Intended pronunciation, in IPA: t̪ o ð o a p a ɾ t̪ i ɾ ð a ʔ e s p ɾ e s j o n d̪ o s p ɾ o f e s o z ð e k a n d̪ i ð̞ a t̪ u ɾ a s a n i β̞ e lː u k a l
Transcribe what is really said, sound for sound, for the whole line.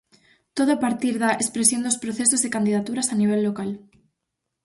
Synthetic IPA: t̪ o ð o a p a ɾ t̪ i ɾ ð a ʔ e s p ɾ e s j o n d̪ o s p ɾ o θ e s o z ð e k a n d̪ i ð̞ a t̪ u ɾ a s a n i β̞ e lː o k a l